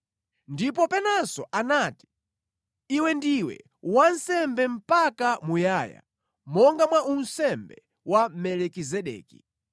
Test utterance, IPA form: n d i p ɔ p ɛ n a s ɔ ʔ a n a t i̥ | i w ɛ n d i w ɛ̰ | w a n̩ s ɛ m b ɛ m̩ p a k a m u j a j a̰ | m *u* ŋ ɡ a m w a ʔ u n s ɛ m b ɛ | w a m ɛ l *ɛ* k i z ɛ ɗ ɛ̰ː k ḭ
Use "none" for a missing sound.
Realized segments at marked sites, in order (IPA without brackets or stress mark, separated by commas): ɔ, ɛ